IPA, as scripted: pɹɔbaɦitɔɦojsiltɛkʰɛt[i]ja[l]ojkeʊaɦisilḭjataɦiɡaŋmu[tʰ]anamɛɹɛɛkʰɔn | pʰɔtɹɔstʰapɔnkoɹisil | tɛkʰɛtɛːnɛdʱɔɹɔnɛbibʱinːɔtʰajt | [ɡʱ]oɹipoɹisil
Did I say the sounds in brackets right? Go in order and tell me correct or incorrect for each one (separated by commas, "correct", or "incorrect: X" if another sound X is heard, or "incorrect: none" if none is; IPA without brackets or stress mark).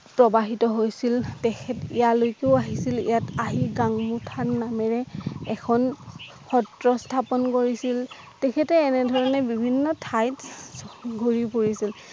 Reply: correct, correct, correct, correct